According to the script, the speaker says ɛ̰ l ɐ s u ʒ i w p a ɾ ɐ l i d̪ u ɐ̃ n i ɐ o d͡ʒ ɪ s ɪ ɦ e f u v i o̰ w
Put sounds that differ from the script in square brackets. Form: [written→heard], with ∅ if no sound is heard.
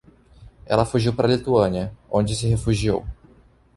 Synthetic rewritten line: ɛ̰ l ɐ [s→f] u ʒ i w p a ɾ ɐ l i [d̪→t̪] u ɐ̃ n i ɐ [o→õ] d͡ʒ ɪ s ɪ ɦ e f u [v→ʒ] i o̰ w